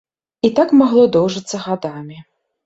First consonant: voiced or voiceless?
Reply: voiceless